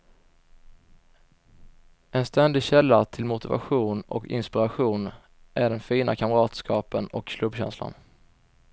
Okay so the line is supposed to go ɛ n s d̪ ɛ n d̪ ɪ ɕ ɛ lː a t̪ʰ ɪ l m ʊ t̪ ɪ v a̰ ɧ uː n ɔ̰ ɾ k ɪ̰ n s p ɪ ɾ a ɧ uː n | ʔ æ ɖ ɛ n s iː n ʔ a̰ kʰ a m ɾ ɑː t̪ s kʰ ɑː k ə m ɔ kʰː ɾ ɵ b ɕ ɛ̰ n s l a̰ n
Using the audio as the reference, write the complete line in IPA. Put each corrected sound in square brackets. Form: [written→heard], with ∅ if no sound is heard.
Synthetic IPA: ɛ n s [d̪→t̪] ɛ n d̪ ɪ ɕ ɛ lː a t̪ʰ ɪ l m ʊ t̪ ɪ v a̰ ɧ uː n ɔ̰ [ɾ→∅] k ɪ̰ n s p ɪ ɾ a ɧ uː n | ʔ æ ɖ ɛ n [s→f] iː n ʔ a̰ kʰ a m ɾ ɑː t̪ s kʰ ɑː [k→p] ə [m→n] ɔ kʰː [ɾ→l] ɵ b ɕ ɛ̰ n s l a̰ n